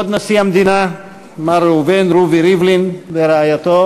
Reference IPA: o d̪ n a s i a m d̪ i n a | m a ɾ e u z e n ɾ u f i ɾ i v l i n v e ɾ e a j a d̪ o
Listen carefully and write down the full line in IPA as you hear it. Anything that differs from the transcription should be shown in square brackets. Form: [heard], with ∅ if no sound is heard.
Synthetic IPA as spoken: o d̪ n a s i a m d̪ i n a | m a ɾ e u [v] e n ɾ u [v] i ɾ i v l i n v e ɾ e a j a [t̪] o